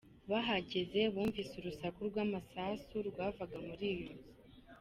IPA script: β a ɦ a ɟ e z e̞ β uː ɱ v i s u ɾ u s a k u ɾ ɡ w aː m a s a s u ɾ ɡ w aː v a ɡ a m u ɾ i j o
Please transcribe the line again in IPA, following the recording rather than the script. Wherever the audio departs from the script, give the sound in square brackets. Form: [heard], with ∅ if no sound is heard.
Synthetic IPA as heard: β a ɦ a ɟ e z e̞ β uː ɱ v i s u ɾ u s a k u ɾ ɡ w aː m a s a s u ɾ ɡ w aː v a ɡ a m u ɾ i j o